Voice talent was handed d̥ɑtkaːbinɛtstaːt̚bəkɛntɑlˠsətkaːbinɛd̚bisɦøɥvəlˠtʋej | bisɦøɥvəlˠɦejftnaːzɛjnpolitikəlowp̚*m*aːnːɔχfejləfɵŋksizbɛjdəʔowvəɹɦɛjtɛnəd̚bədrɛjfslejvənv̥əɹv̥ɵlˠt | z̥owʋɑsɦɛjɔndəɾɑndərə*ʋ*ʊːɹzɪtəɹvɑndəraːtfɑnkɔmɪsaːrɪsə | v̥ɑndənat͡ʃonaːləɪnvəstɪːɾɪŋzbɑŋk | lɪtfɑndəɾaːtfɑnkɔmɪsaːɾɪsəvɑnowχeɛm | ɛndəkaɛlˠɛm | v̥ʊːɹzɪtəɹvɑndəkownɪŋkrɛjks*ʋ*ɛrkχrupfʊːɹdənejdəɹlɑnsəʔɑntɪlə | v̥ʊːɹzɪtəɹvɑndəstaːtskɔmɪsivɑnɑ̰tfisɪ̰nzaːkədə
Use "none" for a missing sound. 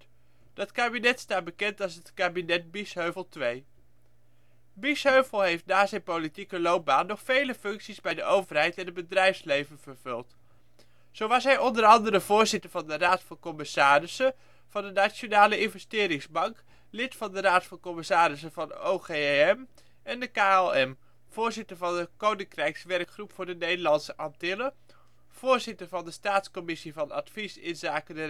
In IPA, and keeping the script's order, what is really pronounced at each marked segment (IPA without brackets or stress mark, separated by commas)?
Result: b, v, ʋ